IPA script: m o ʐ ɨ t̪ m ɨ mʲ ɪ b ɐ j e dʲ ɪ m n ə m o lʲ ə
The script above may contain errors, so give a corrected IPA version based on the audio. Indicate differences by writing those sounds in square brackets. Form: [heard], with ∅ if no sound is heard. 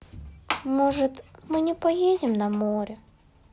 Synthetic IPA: m o ʐ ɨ t̪ m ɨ [nʲ] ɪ [p] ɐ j e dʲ ɪ m n [ɐ] m o [ɾʲ] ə